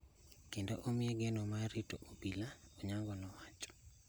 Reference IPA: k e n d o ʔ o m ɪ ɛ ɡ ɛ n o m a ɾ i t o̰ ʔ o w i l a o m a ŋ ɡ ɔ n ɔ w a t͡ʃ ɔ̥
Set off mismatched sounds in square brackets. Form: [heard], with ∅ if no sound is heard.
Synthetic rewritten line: k e n d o ʔ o m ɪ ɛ ɡ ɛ n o m a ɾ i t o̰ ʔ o [b] i l a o [ɲ] a ŋ ɡ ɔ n ɔ w a t͡ʃ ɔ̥

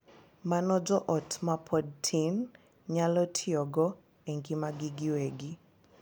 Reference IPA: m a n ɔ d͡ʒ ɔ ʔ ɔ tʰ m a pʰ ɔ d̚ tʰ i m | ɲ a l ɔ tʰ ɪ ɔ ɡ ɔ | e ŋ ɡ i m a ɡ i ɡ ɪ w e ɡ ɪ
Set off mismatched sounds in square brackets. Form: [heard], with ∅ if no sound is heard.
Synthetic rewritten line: m a n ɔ d͡ʒ ɔ ʔ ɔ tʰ m a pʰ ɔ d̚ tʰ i [n] | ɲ a l ɔ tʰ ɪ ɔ ɡ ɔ | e ŋ ɡ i m a ɡ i ɡ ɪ w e ɡ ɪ

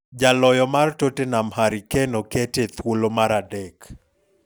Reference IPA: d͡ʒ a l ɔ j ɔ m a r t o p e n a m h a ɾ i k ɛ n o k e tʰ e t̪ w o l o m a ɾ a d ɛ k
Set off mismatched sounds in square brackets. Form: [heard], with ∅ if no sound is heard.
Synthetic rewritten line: d͡ʒ a l ɔ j ɔ m a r t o [t] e n a m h a ɾ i k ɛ n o k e [t] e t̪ w o l o m a ɾ a d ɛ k

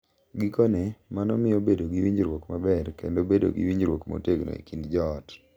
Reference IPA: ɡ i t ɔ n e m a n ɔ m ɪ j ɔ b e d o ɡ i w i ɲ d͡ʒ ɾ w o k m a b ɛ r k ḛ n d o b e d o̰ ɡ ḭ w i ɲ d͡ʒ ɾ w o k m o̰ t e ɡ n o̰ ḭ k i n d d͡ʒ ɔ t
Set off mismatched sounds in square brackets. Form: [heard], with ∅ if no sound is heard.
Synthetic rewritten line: ɡ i [k] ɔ n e m a n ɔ m ɪ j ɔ b e d o ɡ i w i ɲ d͡ʒ ɾ w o k m a b ɛ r k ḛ n d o b e d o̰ ɡ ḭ w i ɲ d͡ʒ ɾ w o k m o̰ t e ɡ n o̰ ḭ k i n d d͡ʒ ɔ t

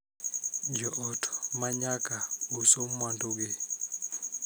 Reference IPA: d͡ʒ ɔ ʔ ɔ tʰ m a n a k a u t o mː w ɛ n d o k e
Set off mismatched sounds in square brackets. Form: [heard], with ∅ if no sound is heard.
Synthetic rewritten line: d͡ʒ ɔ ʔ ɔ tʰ m a [ɲ] a k a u [s] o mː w [a] n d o [ɡ] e

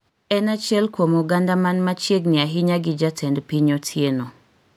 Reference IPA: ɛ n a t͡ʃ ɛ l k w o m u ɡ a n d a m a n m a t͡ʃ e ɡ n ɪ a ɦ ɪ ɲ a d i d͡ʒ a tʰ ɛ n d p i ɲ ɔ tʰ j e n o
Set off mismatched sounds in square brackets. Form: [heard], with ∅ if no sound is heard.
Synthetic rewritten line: ɛ n a t͡ʃ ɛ l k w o m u ɡ a n d a m a n m a t͡ʃ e ɡ n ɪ a ɦ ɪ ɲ a [ɡ] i d͡ʒ a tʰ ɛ n d p i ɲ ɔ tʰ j e n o

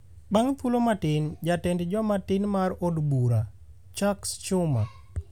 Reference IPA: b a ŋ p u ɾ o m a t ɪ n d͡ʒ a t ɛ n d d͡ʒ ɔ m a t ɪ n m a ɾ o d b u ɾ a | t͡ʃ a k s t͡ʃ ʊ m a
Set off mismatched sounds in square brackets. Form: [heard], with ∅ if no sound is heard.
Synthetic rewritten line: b a ŋ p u [l] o m a t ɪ n d͡ʒ a t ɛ n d d͡ʒ ɔ m a t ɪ n m a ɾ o d b u ɾ a | t͡ʃ a k s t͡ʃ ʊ m a

